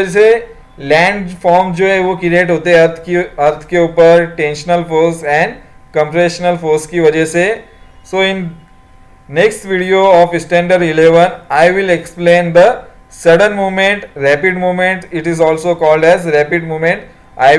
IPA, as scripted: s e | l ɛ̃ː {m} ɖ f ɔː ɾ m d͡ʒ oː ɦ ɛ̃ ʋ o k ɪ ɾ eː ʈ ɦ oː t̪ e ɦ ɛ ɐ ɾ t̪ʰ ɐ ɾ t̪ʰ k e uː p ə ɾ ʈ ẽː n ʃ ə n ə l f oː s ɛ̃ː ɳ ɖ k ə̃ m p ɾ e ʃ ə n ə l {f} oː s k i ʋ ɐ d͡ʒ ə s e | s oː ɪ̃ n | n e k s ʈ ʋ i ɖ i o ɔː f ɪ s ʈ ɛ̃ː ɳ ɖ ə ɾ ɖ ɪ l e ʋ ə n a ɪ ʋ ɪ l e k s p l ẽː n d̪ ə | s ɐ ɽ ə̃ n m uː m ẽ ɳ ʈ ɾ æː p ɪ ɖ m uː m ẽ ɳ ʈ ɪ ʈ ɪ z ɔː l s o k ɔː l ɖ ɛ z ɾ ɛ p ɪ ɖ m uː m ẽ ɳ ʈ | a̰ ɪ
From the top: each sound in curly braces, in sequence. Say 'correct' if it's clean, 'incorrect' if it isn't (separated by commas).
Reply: incorrect, correct